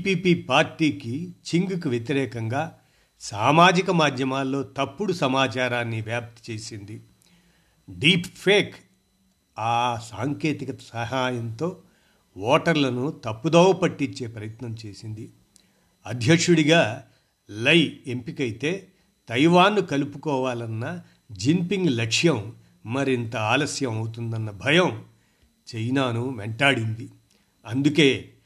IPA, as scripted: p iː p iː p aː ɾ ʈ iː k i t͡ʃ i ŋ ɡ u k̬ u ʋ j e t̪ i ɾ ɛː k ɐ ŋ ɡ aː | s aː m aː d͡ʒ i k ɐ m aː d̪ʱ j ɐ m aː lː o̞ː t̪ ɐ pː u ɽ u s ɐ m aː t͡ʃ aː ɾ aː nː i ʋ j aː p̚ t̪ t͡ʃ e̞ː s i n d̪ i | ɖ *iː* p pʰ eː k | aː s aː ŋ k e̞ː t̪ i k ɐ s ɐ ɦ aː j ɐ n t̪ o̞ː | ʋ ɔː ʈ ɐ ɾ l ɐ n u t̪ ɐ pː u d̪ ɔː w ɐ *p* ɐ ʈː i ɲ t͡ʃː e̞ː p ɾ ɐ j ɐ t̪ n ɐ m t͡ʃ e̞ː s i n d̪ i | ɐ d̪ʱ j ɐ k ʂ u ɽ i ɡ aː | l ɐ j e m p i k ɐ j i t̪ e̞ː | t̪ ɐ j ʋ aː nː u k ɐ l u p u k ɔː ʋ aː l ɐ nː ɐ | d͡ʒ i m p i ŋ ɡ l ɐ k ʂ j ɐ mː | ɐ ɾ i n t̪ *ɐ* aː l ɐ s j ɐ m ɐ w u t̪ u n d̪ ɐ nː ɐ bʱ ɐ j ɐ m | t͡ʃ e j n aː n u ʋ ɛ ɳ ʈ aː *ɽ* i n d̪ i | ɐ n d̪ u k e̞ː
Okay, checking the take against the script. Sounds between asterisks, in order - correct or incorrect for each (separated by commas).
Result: correct, correct, correct, correct